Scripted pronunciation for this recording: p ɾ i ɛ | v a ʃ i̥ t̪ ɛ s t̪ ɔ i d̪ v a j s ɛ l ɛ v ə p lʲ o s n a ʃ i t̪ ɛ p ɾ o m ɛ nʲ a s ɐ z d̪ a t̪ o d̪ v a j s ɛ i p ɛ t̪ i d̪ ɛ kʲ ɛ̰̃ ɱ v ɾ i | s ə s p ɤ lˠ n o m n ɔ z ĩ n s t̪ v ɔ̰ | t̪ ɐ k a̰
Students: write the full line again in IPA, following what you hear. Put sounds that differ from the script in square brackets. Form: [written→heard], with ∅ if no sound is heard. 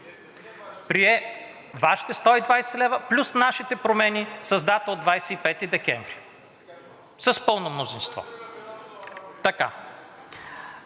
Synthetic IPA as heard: p ɾ i ɛ | v a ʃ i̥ t̪ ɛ s t̪ ɔ i d̪ v a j s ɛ l ɛ v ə p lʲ [o→u] s n a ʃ i t̪ ɛ p ɾ o m ɛ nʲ [a→i] s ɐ z d̪ a t̪ o d̪ v a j s ɛ i p ɛ t̪ i d̪ ɛ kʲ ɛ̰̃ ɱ v ɾ i | s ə s p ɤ lˠ n o m n [ɔ→o] z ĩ n s t̪ v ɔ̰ | t̪ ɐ k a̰